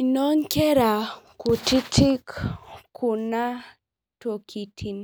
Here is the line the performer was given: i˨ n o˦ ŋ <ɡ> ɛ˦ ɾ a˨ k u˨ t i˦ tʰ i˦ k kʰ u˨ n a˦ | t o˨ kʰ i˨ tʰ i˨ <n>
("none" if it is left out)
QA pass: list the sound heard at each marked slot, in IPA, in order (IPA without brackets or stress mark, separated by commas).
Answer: k, n